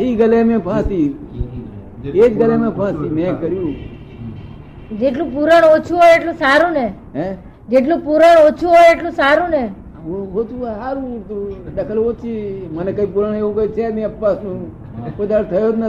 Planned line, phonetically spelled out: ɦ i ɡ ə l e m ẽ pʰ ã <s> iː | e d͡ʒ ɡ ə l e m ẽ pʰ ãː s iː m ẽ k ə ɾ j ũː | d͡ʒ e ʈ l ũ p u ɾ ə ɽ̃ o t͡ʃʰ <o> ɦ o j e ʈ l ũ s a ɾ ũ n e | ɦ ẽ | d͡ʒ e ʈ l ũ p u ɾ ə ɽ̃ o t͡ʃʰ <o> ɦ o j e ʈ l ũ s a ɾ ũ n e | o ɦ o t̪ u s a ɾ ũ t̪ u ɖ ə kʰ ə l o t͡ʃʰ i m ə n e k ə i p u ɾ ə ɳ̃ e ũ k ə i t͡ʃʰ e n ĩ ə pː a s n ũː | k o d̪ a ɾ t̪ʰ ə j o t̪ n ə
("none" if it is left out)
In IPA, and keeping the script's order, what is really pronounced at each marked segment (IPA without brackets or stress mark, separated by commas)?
s, u, u